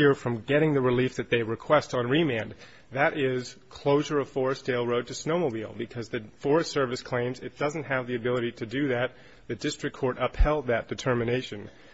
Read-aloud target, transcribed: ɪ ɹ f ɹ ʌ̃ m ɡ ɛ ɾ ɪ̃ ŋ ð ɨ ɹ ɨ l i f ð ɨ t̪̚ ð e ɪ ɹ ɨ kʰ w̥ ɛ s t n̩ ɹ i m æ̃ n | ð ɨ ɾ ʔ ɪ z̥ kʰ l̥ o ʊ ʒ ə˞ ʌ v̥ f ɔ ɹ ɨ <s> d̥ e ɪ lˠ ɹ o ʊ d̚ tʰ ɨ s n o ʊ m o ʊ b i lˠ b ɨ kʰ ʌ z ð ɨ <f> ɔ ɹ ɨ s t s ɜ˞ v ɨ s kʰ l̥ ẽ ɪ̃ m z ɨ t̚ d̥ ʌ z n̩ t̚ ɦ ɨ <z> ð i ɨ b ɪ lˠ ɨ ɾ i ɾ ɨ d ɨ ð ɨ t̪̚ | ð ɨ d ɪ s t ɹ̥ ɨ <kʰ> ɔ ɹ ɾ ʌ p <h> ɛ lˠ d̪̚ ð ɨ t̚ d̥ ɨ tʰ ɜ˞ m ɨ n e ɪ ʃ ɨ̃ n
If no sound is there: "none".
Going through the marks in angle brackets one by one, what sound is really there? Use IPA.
s, f, v, kʰ, h

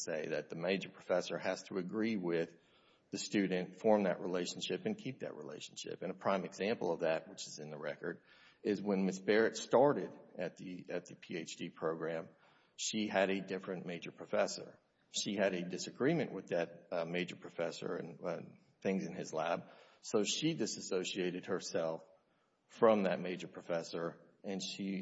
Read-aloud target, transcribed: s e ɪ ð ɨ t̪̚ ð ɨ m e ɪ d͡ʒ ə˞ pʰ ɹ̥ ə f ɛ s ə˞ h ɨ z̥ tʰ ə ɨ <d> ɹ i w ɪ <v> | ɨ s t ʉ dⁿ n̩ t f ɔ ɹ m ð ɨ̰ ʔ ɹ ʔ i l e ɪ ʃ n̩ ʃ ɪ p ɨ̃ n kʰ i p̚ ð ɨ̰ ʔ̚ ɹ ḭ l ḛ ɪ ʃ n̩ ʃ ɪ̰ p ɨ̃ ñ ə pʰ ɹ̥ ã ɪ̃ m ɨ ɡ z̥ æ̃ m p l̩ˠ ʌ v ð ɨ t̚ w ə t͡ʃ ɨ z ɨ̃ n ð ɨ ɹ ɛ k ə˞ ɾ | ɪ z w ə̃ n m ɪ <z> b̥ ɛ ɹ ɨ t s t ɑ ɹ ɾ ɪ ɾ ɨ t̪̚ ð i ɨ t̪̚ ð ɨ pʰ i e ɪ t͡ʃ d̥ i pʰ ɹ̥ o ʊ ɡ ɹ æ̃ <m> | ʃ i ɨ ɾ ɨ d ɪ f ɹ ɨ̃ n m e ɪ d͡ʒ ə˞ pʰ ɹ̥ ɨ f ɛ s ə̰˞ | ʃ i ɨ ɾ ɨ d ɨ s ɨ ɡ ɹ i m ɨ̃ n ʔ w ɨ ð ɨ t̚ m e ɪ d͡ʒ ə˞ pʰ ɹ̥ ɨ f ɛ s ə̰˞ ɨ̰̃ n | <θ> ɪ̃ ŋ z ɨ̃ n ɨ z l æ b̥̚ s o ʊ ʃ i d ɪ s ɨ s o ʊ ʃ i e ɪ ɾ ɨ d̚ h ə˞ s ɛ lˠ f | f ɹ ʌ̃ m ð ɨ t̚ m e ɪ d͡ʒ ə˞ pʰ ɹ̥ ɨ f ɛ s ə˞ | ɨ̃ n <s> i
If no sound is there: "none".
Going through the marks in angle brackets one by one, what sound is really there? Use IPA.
ɡ, ð, s, m, θ, ʃ

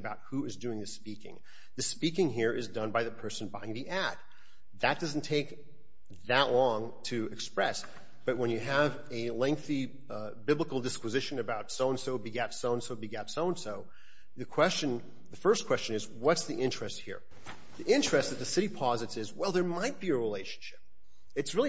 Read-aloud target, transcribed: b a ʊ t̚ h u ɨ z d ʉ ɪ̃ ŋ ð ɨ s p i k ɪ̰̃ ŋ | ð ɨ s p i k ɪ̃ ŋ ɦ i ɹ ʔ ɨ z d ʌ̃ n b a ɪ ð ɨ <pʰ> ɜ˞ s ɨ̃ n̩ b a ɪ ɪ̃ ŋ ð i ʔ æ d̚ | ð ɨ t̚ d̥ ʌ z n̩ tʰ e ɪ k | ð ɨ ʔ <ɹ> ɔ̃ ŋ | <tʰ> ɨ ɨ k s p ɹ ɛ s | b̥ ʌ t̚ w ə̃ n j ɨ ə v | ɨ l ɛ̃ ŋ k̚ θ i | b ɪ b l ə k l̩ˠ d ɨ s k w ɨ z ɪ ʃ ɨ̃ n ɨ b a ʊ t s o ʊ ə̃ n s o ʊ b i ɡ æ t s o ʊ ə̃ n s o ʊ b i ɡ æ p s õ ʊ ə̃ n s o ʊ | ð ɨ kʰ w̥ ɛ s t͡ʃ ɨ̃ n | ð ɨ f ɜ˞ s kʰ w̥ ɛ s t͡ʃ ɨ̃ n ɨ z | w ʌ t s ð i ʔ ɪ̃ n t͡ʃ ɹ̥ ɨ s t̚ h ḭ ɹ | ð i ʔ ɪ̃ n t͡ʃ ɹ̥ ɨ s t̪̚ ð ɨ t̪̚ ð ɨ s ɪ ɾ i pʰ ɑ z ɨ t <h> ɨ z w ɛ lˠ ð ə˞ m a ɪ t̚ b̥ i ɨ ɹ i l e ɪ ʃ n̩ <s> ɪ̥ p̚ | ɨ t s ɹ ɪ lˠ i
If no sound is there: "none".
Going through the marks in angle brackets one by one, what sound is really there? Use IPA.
pʰ, l, tʰ, s, ʃ

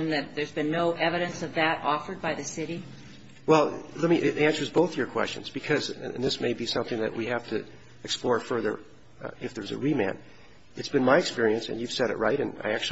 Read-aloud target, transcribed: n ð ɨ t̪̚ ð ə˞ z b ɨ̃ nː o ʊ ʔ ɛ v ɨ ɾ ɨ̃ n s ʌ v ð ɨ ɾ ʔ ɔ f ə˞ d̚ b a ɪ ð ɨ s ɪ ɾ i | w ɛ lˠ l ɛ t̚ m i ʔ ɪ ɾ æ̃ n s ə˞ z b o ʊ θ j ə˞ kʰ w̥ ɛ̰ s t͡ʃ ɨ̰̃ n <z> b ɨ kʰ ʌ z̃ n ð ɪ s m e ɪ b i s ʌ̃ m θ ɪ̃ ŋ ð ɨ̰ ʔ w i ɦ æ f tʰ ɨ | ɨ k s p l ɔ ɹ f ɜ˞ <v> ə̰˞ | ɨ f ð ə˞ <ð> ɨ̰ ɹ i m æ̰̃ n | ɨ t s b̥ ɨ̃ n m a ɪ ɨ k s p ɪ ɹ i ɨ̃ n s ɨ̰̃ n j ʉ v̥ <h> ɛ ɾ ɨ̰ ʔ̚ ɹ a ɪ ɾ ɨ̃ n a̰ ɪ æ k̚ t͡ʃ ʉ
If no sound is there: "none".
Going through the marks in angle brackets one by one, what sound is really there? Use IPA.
z, ð, z, s

